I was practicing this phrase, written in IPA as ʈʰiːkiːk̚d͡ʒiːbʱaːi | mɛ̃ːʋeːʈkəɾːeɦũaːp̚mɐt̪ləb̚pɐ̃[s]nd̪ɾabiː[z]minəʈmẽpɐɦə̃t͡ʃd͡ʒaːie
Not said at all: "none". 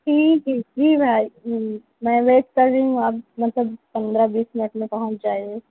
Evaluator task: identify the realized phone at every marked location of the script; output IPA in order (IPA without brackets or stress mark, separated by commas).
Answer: none, s